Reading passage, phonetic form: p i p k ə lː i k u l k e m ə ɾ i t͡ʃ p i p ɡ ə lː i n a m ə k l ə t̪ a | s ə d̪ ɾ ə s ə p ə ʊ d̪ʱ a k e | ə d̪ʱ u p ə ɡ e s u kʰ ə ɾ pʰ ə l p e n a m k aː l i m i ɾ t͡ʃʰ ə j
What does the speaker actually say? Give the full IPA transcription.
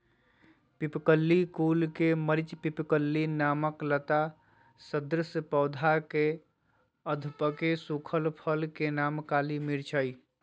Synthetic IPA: p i p k ə lː i k u l k e m ə ɾ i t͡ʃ p i p k ə lː i n a m ə k l ə t̪ a | s ə d̪ ɾ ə s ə p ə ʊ d̪ʱ a k e | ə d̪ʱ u p ə k e s u kʰ ə l pʰ ə l k e n a m k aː l i m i ɾ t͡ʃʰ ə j